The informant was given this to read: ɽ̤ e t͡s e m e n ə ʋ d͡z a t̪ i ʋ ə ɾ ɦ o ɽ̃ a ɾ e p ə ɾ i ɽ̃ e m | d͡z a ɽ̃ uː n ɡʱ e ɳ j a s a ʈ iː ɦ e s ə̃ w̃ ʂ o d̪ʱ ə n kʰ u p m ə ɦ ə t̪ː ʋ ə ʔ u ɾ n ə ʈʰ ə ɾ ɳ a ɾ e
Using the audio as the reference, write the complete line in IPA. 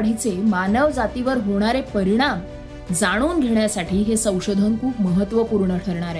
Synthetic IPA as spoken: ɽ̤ i t͡s e m a n ə ʋ d͡z a t̪ i ʋ ə ɾ ɦ o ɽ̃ a ɾ e p ə ɾ i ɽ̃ a m | d͡z a ɽ̃ uː n ɡʱ e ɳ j a s a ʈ iː ɦ e s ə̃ w̃ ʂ o d̪ʱ ə n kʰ uː p m ə ɦ ə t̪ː ʋ ə p u ɾ ɳ ə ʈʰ ə ɾ ɳ a ɾ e